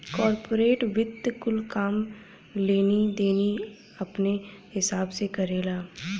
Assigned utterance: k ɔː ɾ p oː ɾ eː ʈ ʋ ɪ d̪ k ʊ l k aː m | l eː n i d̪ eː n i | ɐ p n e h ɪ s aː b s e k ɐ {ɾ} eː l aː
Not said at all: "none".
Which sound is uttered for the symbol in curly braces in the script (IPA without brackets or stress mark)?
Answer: ɾ